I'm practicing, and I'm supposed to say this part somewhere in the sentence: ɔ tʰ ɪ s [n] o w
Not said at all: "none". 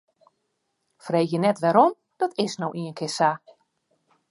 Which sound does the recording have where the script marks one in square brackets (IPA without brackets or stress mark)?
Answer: n